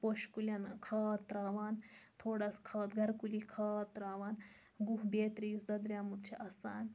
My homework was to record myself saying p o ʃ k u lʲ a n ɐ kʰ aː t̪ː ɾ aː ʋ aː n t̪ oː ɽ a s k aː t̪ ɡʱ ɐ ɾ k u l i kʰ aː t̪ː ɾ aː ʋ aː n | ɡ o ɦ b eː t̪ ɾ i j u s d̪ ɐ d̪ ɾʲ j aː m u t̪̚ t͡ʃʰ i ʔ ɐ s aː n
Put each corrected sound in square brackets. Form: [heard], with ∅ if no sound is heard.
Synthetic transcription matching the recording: p o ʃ k u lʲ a n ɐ kʰ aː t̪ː ɾ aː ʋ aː n [t̪ʰ] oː ɽ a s [kʰ] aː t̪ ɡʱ ɐ ɾ k u l i kʰ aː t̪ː ɾ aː ʋ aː n | ɡ [u] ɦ b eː t̪ ɾ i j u s d̪ ɐ d̪ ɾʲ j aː m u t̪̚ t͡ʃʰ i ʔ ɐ s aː n

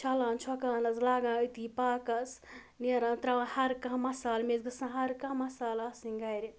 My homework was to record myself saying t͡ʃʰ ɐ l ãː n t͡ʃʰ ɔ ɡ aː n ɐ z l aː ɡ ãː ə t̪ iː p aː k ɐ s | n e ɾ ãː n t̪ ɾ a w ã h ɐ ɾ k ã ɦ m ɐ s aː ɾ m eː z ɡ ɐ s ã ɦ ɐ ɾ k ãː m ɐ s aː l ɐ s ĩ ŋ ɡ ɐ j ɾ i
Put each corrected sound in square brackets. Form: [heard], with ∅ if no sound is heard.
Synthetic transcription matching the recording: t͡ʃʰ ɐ l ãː n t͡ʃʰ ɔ [k] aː n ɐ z l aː ɡ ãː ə t̪ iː p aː k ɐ s | n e ɾ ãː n t̪ ɾ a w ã h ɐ ɾ k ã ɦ m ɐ s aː [l] m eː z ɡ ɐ s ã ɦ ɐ ɾ k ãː m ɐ s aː l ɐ s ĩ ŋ ɡ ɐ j ɾ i

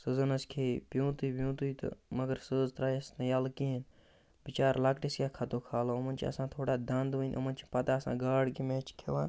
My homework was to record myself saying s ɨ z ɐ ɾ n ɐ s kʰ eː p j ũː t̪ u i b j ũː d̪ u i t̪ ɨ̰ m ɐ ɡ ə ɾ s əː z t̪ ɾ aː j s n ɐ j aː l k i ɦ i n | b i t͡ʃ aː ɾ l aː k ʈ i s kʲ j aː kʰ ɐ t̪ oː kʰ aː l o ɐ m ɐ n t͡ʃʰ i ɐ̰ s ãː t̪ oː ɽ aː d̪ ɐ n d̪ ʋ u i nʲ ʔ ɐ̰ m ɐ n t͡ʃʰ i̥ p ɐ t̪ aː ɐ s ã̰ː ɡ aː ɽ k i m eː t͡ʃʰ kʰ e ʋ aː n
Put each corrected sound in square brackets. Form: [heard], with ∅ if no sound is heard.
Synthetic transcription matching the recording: s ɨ z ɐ [∅] n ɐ s kʰ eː p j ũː t̪ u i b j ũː [t̪] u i t̪ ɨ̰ m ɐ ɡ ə ɾ s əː z t̪ ɾ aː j s n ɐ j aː l k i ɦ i n | b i t͡ʃ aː ɾ l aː k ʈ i s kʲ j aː kʰ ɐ t̪ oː kʰ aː l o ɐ m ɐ n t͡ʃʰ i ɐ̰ s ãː [t̪ʰ] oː ɽ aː d̪ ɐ n d̪ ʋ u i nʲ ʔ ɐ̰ m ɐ n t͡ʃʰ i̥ p ɐ t̪ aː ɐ s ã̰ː ɡ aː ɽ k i m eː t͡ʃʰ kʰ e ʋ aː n

